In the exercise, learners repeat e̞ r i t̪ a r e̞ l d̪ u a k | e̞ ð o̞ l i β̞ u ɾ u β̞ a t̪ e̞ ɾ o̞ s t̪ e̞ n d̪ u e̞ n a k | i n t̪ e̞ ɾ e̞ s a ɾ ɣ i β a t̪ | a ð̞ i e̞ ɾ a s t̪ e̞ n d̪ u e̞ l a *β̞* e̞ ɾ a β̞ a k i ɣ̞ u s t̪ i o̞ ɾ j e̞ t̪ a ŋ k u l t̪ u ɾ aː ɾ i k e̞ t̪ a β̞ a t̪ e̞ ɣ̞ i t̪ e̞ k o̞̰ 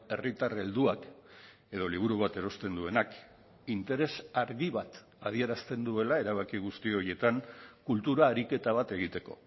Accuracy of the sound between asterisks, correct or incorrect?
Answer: incorrect